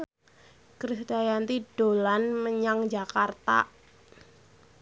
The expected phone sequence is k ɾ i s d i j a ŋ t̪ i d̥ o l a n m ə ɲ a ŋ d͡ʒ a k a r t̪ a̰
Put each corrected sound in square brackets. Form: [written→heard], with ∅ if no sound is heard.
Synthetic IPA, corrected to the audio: k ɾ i s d [i→a] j a [ŋ→n] t̪ i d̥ o l a n m ə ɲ a ŋ d͡ʒ a k a r t̪ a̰